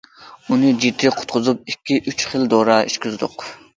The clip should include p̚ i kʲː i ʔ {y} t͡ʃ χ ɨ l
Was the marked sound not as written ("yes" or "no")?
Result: no